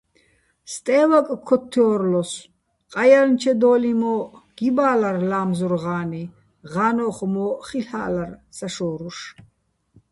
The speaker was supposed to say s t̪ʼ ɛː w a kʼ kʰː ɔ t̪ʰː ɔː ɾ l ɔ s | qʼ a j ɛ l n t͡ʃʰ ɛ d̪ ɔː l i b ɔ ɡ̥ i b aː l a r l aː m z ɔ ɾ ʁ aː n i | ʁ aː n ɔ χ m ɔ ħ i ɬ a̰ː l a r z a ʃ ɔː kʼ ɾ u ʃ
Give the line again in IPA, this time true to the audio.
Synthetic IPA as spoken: s t̪ʼ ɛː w a kʼ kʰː ɔ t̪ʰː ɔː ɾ l ɔ s | qʼ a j a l n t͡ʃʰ ɛ d̪ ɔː l i m ɔ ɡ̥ i b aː l a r l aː m z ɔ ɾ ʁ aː n i | ʁ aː n ɔ χ m ɔ χ i ɬ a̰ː l a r s a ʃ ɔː ɾ u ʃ